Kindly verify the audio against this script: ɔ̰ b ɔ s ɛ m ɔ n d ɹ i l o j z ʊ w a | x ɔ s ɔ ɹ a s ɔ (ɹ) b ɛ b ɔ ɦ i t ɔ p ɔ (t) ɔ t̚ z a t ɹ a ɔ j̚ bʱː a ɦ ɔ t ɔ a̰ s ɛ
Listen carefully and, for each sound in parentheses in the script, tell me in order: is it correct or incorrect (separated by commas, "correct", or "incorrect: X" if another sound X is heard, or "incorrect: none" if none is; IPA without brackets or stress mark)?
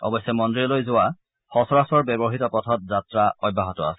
correct, incorrect: tʰ